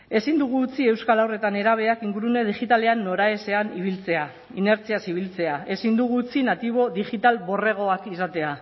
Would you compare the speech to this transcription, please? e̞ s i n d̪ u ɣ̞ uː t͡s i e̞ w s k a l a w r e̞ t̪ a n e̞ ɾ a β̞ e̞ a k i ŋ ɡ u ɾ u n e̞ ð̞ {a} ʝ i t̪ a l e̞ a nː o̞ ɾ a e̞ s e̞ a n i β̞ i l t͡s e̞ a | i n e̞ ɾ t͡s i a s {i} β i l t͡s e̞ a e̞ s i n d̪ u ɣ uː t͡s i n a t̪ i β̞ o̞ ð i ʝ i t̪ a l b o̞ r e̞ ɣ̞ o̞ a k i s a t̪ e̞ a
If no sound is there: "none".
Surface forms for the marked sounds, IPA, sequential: i, i

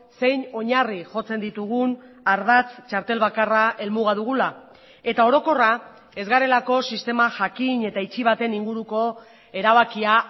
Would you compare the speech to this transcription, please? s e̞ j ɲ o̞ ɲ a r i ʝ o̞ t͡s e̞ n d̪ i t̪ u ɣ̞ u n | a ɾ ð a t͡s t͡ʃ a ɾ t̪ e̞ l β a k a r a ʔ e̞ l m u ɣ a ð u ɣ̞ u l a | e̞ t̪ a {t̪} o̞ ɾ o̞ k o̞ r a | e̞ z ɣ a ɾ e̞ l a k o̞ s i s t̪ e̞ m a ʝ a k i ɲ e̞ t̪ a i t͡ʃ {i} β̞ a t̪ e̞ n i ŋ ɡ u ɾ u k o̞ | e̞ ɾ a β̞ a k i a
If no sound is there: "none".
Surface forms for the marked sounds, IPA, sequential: none, i

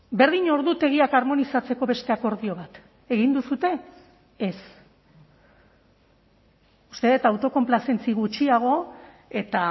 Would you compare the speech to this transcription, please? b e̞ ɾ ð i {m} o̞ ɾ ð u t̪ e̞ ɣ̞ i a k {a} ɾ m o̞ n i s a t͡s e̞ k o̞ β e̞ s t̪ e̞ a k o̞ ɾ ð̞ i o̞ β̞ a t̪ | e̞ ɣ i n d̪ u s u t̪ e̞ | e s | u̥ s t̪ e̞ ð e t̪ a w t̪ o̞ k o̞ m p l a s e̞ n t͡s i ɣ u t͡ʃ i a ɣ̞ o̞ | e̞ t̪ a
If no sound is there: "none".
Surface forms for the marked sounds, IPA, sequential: ɲ, a

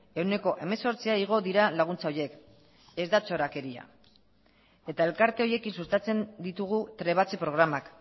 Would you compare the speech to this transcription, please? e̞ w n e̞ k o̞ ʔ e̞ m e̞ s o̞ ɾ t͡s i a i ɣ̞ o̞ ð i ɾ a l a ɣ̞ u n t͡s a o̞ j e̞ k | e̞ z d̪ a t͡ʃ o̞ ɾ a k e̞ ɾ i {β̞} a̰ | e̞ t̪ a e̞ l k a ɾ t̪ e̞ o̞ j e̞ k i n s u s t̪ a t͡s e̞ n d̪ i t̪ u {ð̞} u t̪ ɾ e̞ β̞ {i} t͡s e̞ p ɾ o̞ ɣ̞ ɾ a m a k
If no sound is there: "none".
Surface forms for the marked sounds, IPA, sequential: none, ɣ̞, a

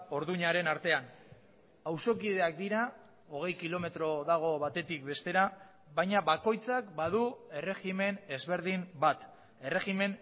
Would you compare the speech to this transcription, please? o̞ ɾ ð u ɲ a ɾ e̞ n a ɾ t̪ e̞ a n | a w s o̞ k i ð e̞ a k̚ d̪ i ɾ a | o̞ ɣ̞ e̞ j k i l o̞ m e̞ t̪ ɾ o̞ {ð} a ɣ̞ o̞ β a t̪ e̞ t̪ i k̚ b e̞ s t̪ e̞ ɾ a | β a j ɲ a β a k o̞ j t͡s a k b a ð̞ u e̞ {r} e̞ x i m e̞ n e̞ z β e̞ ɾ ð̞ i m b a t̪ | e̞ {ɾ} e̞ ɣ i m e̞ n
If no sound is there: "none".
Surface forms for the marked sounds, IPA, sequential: ð, r, r

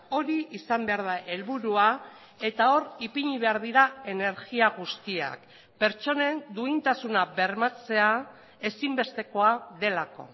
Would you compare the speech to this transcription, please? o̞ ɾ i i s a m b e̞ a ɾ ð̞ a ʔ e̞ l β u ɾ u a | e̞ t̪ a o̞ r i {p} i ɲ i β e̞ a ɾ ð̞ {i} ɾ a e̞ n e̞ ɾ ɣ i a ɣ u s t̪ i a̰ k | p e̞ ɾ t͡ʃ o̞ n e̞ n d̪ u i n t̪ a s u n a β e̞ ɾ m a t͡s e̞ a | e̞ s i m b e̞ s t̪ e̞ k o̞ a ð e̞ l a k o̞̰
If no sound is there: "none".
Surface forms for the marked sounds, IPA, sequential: p, i

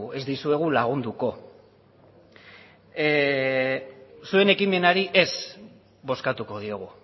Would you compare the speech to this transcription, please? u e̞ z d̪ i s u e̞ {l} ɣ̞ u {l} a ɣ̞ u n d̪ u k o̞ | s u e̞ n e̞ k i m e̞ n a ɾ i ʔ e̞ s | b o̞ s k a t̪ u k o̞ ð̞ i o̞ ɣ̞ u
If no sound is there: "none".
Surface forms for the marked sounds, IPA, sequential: none, l

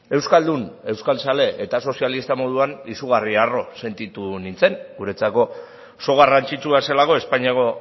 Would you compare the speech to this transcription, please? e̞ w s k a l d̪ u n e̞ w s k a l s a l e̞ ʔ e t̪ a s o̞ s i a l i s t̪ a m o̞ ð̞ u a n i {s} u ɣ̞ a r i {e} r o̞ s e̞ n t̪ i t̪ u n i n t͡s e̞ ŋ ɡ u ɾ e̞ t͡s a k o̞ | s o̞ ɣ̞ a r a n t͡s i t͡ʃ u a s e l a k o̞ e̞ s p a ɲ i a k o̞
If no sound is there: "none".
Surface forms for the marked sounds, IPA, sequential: s, a

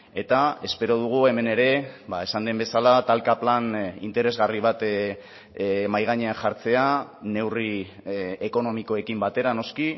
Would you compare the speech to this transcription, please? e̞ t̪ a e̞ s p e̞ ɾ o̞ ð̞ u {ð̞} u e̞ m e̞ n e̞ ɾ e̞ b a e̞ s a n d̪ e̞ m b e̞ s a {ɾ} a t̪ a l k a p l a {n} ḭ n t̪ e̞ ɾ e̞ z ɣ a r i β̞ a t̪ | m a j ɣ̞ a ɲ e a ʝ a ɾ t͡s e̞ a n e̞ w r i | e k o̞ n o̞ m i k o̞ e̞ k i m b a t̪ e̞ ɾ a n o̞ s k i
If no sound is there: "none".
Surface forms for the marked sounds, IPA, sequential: ɣ̞, l, n

